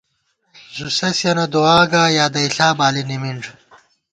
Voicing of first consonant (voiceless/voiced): voiced